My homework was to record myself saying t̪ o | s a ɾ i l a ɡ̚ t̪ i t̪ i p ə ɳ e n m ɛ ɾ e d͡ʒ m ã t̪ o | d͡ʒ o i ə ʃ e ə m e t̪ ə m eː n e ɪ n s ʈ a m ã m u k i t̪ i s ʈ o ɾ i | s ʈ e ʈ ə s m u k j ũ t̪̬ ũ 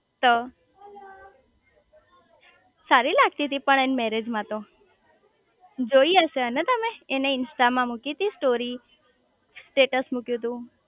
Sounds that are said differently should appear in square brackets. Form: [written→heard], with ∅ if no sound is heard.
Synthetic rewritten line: t̪ o | s a ɾ i l a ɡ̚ t̪ i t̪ i p ə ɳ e n m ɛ ɾ e d͡ʒ m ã t̪ o | d͡ʒ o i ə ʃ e ə [m→n] e t̪ ə m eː n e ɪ n s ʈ a m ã m u k i t̪ i s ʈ o ɾ i | s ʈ e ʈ ə s m u k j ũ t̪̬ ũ